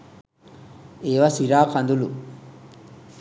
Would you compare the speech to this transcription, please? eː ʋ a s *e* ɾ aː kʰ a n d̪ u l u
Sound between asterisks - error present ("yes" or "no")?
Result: yes